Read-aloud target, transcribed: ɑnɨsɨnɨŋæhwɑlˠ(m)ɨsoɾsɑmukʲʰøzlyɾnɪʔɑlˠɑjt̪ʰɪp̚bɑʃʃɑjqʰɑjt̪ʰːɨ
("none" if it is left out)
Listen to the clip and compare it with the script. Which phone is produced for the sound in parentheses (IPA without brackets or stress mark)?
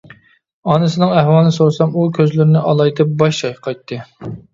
n